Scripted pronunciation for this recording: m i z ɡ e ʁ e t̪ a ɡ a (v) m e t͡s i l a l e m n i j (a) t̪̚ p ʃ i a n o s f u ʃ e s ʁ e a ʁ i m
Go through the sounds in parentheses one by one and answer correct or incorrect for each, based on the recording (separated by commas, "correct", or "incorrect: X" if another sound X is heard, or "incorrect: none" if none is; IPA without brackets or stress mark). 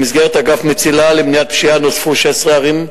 incorrect: f, correct